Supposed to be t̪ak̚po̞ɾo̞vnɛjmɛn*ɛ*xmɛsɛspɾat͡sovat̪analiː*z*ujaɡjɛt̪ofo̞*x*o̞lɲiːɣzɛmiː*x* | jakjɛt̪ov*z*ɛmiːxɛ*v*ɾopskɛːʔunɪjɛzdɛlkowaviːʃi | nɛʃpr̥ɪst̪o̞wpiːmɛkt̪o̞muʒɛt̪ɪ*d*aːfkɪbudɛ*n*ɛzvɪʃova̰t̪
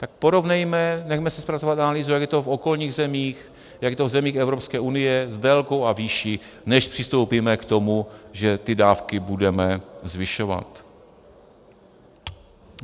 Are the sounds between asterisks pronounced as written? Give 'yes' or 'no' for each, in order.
yes, yes, no, yes, yes, yes, yes, no

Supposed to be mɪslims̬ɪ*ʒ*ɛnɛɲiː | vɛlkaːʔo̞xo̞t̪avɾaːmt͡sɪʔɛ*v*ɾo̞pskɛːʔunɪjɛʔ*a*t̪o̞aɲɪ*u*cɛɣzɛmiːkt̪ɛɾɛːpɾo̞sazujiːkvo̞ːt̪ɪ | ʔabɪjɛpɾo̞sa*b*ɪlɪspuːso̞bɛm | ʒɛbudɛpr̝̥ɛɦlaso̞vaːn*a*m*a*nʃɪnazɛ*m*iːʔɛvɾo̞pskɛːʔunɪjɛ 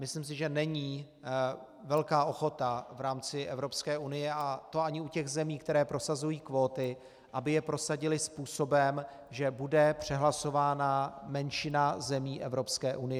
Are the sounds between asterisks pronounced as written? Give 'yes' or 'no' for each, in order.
yes, yes, yes, yes, no, yes, no, yes

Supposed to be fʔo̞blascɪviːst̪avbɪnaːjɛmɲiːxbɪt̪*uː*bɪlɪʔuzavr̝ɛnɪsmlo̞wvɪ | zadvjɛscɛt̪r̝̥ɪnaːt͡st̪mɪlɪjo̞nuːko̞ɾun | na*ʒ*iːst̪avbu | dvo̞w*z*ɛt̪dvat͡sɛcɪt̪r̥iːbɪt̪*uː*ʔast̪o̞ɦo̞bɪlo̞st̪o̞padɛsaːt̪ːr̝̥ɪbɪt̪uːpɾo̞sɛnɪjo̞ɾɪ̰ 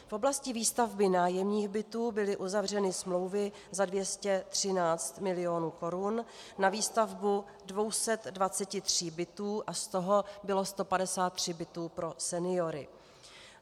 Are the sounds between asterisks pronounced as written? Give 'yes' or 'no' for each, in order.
yes, no, no, yes

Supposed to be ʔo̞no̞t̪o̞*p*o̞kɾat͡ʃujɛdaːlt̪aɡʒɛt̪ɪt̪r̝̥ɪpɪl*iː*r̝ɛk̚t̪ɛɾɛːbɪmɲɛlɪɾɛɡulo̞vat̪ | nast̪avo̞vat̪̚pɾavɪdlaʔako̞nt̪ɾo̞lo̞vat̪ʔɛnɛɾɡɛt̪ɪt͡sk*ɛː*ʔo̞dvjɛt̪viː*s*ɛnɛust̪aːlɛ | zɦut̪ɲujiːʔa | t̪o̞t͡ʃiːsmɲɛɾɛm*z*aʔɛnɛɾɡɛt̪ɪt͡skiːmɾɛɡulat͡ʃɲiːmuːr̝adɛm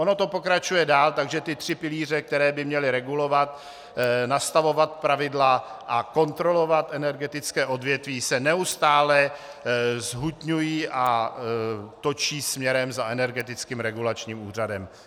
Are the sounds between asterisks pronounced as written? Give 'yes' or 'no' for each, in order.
yes, yes, yes, yes, yes

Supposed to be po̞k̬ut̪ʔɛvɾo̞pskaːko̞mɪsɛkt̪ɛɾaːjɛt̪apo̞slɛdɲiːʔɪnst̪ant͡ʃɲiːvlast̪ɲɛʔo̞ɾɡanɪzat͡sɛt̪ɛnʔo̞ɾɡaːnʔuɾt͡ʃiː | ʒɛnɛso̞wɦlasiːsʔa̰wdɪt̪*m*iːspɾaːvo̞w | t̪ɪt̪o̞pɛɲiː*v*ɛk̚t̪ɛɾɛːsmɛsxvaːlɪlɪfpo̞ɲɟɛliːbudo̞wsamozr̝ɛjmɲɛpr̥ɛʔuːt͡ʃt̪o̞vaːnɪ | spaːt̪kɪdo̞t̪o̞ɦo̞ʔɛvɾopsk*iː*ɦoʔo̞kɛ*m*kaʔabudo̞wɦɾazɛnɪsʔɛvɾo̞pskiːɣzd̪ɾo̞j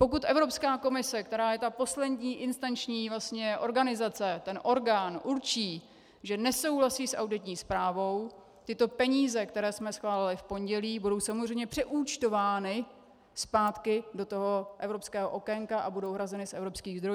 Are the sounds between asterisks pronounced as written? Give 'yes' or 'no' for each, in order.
no, no, no, no

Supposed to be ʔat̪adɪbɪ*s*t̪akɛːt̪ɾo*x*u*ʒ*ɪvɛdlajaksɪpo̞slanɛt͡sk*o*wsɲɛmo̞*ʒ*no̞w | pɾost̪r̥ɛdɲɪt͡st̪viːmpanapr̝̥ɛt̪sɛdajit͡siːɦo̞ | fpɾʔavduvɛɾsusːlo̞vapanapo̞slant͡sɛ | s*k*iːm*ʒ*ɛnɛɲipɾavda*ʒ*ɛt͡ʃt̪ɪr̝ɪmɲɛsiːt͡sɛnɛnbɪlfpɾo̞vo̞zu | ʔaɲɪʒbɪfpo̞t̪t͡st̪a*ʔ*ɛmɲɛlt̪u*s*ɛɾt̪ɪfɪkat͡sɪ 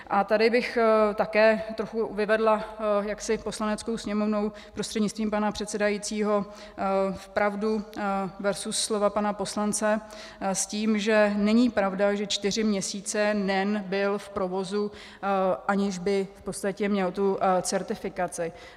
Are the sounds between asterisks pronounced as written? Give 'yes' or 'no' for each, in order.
no, yes, no, yes, no, no, yes, yes, no, no

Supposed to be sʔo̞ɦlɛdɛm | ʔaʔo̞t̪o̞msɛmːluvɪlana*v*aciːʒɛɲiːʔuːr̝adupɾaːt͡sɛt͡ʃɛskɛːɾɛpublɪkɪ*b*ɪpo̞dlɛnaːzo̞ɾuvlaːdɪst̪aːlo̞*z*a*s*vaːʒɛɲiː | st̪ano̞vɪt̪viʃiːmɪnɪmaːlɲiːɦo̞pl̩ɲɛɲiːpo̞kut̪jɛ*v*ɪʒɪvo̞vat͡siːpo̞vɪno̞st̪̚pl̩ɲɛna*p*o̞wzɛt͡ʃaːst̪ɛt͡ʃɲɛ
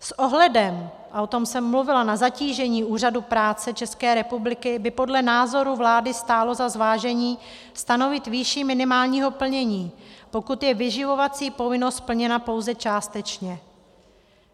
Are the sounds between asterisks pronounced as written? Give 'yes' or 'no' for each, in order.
no, yes, yes, no, yes, yes

